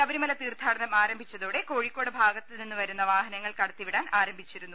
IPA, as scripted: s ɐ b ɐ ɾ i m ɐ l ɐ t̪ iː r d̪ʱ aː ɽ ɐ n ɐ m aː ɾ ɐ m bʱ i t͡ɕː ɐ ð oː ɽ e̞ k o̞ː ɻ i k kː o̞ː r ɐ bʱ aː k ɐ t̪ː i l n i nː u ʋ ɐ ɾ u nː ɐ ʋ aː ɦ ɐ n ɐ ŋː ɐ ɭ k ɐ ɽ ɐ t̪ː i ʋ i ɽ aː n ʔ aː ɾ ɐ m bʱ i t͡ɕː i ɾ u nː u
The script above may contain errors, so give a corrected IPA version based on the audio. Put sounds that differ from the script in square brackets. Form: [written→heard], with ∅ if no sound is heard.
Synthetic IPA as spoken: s ɐ b ɐ ɾ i m ɐ l ɐ t̪ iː r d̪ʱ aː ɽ ɐ n ɐ m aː ɾ ɐ m bʱ i t͡ɕː ɐ ð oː ɽ e̞ k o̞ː ɻ i k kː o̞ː [r→ɽ] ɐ bʱ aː [k→ɡ] ɐ t̪ː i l n i nː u ʋ ɐ ɾ u nː ɐ ʋ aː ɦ ɐ n ɐ ŋː ɐ ɭ k ɐ ɽ ɐ t̪ː i ʋ i ɽ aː n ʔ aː ɾ ɐ m bʱ i t͡ɕː i ɾ u nː u